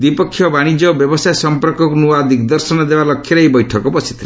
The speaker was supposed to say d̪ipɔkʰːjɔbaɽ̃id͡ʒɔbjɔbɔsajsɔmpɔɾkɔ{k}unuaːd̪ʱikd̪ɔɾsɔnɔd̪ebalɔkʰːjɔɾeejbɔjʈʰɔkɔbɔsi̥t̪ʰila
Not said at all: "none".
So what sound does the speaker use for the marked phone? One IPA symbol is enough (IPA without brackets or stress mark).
k